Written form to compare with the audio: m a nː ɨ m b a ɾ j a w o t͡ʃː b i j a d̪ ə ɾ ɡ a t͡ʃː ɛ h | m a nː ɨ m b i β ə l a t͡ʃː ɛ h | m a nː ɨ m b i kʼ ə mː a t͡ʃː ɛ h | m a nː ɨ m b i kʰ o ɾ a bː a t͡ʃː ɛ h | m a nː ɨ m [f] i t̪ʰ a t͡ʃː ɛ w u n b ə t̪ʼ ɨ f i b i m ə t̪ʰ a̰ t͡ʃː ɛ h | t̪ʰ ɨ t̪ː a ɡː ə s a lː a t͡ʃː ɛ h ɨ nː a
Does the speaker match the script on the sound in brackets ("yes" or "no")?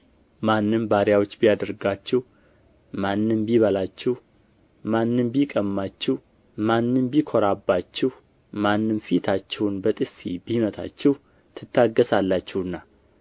yes